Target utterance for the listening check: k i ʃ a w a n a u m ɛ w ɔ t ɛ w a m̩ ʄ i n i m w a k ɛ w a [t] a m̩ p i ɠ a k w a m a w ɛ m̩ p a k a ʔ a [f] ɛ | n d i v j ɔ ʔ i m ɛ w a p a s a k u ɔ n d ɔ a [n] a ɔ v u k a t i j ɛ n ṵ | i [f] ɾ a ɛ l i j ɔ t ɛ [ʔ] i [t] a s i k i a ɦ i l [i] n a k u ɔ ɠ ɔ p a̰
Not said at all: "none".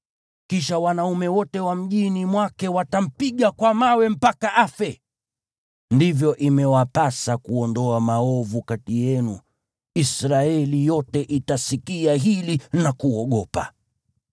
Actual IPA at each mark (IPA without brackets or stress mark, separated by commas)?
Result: t, f, m, s, ʔ, t, i